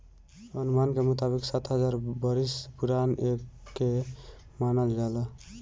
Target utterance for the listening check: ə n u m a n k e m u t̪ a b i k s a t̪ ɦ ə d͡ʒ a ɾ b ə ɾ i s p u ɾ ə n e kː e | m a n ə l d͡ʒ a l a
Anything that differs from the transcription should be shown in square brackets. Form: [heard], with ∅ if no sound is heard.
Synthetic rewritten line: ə n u m a n k e m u t̪ a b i k s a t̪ ɦ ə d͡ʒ a ɾ b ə ɾ i s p u ɾ [a] n e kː e | m a n ə l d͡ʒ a l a